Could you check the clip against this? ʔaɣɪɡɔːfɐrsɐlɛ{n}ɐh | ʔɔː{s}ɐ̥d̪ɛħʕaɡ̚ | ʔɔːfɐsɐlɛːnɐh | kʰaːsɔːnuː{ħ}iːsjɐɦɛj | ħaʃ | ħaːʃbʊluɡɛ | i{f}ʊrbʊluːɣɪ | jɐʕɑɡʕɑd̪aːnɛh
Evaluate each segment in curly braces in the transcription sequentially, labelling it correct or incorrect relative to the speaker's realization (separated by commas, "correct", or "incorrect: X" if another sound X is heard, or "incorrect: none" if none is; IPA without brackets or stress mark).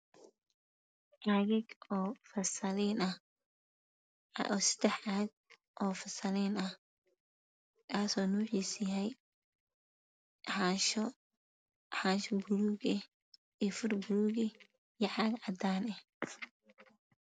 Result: correct, correct, correct, correct